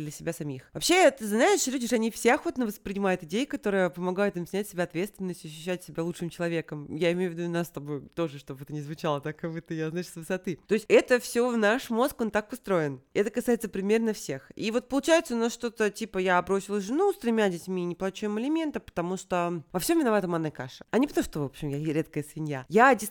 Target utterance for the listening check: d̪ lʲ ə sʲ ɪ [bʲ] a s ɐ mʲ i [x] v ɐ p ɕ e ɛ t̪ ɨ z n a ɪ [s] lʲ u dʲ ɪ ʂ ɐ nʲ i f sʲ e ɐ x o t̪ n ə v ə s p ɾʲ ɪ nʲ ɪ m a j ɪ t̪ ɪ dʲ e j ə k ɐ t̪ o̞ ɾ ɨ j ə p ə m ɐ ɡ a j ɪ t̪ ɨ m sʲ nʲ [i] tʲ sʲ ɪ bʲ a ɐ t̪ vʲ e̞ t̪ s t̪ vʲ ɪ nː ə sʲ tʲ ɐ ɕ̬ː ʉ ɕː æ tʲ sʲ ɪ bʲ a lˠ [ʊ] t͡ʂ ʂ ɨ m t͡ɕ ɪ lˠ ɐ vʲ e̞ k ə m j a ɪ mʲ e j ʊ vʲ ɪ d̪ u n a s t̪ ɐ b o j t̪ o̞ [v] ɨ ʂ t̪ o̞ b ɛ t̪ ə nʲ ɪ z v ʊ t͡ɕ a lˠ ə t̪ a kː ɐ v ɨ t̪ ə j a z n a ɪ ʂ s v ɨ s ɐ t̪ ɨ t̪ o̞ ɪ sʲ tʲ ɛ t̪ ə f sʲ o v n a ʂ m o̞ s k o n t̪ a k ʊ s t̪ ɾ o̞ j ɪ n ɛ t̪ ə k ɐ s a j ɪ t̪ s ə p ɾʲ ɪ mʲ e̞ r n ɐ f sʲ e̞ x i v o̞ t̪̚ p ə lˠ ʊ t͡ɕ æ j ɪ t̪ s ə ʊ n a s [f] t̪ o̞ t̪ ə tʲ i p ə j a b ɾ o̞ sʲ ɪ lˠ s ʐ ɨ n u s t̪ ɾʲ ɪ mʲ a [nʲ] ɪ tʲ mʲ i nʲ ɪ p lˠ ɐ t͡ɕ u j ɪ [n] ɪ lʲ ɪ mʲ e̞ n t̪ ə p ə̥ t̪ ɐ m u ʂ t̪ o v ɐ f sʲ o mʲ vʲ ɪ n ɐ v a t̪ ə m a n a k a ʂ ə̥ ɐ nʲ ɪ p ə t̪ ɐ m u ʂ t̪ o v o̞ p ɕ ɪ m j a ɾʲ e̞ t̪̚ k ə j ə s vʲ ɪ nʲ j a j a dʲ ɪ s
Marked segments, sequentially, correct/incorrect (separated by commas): correct, correct, incorrect, incorrect, incorrect, incorrect, incorrect, incorrect, incorrect